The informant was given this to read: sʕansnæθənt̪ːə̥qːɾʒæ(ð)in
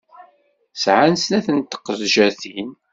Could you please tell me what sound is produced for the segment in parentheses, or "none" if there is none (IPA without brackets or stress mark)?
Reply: θ